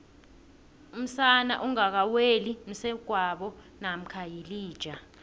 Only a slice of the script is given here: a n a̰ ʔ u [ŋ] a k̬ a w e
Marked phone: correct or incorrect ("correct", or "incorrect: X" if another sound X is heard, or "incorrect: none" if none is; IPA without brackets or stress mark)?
correct